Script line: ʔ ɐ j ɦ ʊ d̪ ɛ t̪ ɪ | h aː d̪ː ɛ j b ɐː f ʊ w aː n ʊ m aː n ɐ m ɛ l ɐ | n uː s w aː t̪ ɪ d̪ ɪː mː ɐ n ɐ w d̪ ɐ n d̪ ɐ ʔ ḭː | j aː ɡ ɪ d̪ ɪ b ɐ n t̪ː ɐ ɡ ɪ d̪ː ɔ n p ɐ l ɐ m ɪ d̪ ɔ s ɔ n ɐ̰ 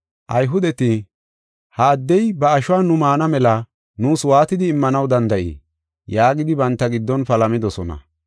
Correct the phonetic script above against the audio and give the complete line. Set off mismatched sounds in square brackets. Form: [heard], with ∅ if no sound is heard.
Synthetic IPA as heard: ʔ ɐ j ɦ ʊ d̪ ɛ t̪ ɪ | h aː d̪ː ɛ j b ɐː [ʃ] ʊ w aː n ʊ m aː n ɐ m ɛ l ɐ | n uː s w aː t̪ ɪ d̪ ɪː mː ɐ n ɐ w d̪ ɐ n d̪ ɐ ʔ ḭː | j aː ɡ ɪ d̪ ɪ b ɐ n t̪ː ɐ ɡ ɪ d̪ː ɔ n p ɐ l ɐ m ɪ d̪ ɔ s ɔ n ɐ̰